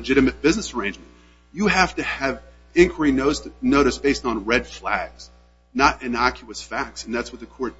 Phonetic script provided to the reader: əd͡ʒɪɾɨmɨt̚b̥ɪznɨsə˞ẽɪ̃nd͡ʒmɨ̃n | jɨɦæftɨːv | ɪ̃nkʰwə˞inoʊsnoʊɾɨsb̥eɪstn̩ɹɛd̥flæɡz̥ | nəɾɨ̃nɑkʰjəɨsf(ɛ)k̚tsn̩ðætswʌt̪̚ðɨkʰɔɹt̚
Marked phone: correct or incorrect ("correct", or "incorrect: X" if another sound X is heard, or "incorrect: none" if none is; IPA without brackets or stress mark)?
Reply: incorrect: æ